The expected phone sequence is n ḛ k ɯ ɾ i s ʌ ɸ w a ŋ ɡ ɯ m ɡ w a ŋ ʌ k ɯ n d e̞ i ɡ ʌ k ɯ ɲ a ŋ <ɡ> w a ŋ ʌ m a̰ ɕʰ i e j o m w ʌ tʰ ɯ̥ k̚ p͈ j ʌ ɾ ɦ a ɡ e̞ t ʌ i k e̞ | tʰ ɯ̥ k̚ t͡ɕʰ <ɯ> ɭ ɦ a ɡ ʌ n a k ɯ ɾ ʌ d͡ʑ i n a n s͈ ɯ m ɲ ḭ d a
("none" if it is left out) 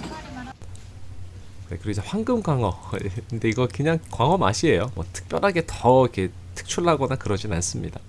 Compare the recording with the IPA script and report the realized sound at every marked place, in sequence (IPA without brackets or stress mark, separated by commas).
k, u